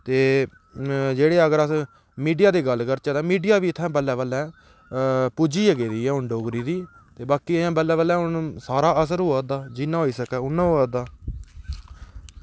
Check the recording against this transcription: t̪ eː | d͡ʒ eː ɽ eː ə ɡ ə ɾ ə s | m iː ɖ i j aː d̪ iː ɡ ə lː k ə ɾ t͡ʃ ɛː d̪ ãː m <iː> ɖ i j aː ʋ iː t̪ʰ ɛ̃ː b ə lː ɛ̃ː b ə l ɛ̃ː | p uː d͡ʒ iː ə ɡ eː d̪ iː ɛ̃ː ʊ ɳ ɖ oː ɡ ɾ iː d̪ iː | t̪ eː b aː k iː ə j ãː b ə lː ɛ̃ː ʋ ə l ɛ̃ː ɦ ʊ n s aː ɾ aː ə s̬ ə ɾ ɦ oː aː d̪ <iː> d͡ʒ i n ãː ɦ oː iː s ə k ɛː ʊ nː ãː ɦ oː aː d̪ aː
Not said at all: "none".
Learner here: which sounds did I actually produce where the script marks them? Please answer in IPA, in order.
iː, aː

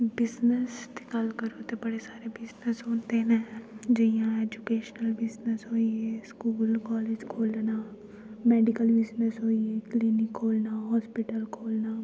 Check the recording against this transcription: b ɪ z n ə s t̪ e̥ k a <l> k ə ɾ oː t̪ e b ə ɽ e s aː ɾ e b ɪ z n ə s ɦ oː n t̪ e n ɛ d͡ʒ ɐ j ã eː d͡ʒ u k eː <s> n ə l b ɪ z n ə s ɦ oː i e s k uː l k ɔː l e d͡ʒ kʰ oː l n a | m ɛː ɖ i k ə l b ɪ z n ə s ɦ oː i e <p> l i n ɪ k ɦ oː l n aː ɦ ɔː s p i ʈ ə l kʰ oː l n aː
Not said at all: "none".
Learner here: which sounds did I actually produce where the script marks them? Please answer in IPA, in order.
l, ʃ, k

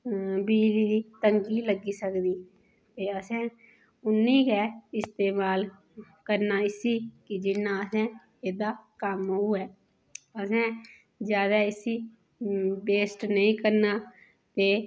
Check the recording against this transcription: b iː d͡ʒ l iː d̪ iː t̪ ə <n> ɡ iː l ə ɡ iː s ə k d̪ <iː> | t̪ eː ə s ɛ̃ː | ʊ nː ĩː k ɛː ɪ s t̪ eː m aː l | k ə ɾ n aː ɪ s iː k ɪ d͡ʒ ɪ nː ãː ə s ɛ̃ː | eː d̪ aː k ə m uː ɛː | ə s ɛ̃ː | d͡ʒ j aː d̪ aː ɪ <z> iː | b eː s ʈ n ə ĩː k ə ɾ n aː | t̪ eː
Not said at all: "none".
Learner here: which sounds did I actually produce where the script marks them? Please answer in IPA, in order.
ŋ, iː, s

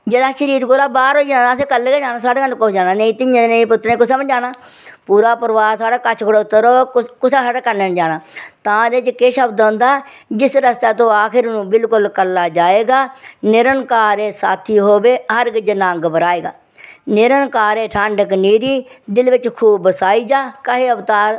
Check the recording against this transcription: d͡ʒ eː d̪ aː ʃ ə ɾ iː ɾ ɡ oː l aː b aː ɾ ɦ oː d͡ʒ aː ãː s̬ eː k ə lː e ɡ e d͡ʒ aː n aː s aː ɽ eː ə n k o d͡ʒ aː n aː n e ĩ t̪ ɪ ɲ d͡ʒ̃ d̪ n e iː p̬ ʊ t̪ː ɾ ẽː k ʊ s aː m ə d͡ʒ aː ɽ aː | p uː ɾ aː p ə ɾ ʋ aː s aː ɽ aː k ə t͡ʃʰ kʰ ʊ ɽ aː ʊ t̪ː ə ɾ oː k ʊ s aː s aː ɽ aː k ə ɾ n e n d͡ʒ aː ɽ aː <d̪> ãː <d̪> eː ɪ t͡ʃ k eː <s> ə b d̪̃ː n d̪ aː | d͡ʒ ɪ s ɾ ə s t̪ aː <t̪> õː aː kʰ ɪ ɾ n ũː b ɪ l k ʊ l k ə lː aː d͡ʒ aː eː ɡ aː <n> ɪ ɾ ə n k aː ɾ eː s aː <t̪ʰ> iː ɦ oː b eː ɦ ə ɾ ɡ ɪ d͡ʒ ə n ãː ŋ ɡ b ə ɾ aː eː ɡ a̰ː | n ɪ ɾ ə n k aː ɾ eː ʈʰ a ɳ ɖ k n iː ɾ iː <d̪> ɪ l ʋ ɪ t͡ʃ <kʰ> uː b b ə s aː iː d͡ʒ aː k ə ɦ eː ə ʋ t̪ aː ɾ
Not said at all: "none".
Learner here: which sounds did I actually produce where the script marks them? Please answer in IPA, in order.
t̪, d̪, ʃ, t̪, n, t̪ʰ, d̪, kʰ

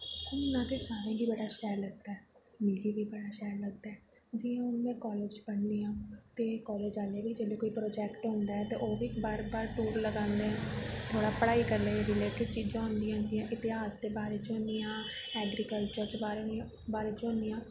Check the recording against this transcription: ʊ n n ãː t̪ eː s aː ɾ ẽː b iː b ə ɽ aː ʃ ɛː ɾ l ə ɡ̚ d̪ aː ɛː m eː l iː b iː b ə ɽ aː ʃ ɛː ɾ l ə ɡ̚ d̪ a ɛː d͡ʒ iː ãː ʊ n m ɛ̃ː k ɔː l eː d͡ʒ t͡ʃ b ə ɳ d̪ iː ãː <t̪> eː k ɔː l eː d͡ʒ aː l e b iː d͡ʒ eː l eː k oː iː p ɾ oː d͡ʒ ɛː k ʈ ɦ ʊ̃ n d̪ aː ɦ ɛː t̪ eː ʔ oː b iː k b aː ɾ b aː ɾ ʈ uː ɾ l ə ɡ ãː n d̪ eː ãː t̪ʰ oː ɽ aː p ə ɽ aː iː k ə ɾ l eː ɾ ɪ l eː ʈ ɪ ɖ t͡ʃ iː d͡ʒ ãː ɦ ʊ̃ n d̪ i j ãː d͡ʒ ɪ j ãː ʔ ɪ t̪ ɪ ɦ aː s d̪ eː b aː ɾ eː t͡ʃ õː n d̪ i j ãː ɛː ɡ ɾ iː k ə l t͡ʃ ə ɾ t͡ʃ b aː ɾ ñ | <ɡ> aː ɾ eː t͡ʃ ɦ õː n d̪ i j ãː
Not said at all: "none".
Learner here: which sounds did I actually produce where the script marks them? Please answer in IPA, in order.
t̪, b

